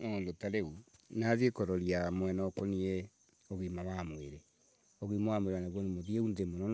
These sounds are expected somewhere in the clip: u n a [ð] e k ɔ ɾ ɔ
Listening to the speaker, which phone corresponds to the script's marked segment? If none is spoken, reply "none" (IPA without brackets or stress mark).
ð